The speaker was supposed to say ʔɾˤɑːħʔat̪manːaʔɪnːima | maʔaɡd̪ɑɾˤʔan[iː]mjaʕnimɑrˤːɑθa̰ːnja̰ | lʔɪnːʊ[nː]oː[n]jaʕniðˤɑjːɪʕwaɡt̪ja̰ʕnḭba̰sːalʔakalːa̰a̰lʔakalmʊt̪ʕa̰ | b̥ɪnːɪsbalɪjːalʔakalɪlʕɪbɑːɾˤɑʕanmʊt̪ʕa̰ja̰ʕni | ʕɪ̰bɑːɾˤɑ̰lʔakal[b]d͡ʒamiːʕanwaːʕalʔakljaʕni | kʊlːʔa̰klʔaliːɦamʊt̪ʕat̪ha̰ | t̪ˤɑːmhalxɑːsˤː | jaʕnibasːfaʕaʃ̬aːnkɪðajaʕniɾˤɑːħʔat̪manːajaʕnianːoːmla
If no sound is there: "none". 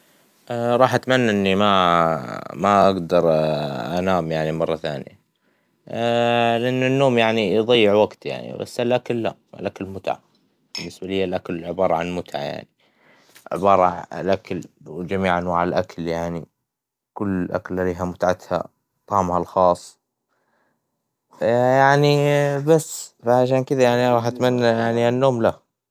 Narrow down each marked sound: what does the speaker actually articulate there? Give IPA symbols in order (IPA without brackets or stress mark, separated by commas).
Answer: aː, nː, m, w